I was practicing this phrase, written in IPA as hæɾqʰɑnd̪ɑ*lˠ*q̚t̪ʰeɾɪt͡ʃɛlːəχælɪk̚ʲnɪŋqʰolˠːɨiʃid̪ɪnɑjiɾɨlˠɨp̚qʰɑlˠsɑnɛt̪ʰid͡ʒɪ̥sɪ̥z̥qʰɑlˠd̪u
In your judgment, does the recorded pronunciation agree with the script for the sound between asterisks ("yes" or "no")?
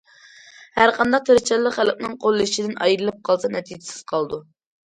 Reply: no